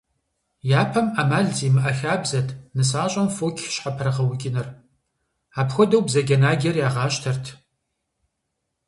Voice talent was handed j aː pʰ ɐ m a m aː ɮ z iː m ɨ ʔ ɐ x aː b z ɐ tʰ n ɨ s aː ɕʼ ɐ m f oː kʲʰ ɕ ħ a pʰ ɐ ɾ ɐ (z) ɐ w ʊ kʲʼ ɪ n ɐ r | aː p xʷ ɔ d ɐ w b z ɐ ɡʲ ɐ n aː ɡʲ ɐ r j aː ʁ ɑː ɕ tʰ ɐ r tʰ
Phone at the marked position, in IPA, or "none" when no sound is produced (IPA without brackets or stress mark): ʁ